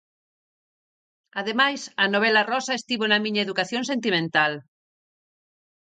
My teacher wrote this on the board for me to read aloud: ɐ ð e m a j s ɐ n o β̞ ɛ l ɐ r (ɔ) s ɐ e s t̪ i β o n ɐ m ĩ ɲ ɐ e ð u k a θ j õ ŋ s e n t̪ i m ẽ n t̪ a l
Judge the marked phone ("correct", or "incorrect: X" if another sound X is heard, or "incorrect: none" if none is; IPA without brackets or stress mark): correct